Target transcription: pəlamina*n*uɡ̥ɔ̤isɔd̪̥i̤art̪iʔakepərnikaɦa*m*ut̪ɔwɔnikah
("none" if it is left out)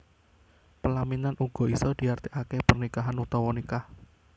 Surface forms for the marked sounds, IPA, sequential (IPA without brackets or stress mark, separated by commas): n, n